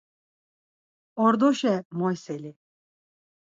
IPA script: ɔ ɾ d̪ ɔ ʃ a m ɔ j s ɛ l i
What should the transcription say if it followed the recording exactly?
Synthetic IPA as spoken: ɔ ɾ d̪ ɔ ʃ ɛ m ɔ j s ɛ l i